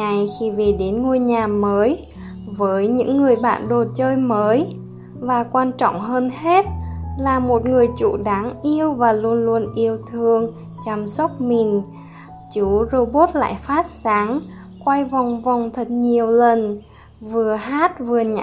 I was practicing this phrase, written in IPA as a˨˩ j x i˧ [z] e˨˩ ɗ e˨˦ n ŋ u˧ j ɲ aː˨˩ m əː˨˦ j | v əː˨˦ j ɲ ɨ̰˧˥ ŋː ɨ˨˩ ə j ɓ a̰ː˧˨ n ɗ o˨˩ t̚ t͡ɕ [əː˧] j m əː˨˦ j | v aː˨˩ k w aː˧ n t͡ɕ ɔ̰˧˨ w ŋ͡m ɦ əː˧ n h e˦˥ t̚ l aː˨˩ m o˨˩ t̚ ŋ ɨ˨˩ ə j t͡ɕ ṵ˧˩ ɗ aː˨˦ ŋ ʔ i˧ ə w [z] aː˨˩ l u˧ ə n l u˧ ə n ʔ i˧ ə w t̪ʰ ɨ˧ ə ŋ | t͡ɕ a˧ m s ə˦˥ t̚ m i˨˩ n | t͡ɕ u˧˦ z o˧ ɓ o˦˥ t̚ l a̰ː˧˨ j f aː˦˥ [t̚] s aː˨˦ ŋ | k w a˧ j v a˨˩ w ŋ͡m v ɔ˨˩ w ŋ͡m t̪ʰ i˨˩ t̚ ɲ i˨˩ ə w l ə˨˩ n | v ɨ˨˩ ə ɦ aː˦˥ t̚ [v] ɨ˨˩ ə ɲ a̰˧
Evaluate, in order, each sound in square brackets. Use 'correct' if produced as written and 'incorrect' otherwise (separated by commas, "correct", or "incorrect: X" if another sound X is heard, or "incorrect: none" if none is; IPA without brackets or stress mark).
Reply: incorrect: v, correct, incorrect: v, correct, correct